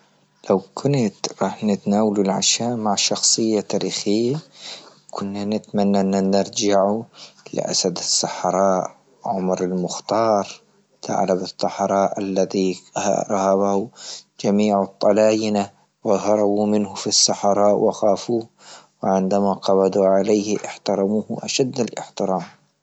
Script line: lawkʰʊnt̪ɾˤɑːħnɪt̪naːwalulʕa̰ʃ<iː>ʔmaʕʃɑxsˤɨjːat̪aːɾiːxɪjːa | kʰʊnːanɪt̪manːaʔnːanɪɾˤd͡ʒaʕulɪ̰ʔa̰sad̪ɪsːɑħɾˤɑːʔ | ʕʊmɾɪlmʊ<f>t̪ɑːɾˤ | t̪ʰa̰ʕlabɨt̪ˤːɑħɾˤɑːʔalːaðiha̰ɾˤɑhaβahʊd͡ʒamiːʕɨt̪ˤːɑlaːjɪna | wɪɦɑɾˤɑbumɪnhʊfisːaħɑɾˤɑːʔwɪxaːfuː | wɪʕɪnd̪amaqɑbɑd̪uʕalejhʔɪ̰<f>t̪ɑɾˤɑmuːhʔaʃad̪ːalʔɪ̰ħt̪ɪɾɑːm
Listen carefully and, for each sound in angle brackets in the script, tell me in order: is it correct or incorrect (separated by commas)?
incorrect, incorrect, incorrect